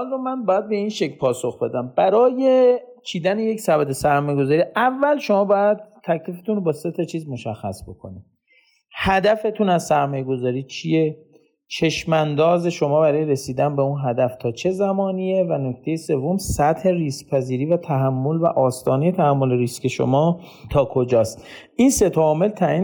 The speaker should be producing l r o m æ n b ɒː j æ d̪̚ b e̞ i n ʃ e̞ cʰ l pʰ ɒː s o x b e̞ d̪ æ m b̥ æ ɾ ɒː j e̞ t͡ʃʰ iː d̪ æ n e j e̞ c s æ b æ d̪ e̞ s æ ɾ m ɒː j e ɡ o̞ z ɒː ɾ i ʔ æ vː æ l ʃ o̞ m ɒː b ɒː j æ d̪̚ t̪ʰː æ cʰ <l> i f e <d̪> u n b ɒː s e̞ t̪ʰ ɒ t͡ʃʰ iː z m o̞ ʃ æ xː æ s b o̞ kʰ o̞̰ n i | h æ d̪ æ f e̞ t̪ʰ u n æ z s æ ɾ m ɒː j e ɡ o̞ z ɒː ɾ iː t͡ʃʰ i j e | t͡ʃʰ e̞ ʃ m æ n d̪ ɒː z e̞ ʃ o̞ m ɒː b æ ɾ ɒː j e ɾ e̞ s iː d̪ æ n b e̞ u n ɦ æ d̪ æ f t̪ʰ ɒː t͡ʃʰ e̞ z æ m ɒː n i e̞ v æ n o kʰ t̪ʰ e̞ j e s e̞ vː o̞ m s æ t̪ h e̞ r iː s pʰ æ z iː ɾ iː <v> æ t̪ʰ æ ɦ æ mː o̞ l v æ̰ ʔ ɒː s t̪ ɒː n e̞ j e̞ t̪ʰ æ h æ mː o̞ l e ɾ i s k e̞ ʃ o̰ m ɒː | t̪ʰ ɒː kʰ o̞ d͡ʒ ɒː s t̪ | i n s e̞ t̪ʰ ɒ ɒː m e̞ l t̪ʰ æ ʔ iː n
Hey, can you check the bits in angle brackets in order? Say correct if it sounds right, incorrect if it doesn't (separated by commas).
correct, incorrect, correct